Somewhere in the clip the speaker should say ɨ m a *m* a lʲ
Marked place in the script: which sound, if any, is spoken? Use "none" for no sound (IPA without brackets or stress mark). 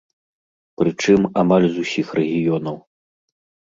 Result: m